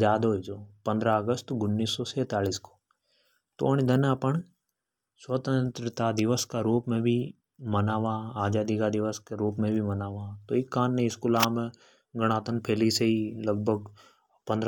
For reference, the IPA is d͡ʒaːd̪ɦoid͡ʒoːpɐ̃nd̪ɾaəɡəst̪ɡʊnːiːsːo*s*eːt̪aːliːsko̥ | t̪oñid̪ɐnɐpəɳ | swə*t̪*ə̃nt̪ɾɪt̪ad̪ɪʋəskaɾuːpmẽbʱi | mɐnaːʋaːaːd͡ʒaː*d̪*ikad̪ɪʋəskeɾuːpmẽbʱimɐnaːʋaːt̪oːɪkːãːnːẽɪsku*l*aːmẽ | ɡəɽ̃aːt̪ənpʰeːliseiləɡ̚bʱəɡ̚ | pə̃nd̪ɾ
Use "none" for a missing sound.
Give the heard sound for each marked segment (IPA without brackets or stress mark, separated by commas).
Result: s, t̪, d̪, l